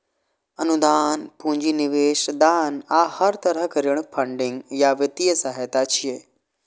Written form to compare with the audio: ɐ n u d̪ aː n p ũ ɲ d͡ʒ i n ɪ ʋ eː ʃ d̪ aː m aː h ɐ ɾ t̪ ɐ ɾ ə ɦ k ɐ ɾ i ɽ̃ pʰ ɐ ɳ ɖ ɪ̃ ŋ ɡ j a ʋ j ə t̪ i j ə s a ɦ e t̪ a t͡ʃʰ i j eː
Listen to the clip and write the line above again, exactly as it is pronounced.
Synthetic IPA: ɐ n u d̪ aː n p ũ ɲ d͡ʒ i n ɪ ʋ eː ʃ d̪ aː n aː h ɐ ɾ t̪ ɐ ɾ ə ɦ k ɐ ɾ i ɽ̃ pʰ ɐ ɳ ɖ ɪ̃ ŋ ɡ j a ʋ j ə t̪ i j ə s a ɦ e t̪ a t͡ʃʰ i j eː